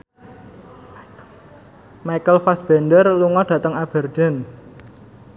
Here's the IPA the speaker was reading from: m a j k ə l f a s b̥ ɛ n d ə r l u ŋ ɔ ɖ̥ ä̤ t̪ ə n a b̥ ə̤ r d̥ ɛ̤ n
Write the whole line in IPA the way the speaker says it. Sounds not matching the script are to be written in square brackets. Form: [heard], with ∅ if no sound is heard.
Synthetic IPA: m a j k ə l f a s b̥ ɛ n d ə r l u ŋ ɔ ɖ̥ ä̤ t̪ ə [ŋ] a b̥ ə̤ r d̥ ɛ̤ n